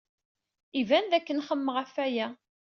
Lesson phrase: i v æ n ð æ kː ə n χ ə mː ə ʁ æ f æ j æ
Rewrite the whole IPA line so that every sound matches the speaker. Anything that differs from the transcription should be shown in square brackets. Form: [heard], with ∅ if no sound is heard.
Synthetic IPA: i v æ n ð æ kː ə n χ ə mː ə ʁ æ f æ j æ